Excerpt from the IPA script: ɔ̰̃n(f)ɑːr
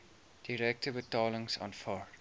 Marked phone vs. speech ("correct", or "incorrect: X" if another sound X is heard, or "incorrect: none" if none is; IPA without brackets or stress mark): correct